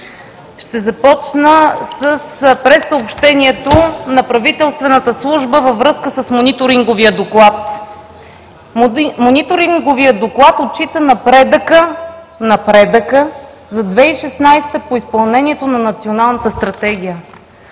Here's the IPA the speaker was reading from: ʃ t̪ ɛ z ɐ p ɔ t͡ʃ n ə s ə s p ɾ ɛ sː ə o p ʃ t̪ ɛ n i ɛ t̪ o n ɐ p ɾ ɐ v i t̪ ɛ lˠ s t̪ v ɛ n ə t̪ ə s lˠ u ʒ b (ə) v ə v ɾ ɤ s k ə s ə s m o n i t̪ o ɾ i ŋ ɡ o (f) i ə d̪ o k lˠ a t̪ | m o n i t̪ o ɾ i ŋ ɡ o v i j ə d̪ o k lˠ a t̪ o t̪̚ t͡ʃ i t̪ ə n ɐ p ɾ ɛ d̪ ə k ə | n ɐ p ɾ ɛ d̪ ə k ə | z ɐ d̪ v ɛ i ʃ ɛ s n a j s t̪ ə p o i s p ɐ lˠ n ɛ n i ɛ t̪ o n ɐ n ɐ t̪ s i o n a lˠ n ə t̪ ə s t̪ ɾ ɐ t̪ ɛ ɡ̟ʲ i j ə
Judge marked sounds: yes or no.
yes, no

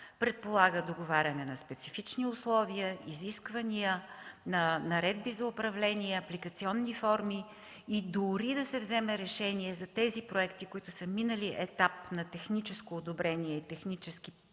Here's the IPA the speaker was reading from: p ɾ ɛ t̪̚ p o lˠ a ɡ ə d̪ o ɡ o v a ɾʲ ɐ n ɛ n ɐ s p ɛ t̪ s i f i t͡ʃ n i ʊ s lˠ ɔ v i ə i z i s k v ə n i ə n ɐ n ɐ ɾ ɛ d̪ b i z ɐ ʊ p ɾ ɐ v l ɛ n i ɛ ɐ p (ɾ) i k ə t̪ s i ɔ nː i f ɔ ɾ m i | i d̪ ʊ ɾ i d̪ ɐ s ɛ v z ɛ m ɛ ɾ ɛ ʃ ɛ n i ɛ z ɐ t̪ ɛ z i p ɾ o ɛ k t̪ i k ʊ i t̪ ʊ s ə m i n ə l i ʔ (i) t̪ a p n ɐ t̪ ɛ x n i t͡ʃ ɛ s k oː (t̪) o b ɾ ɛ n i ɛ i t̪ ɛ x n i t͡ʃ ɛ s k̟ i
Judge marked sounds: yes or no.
no, no, no

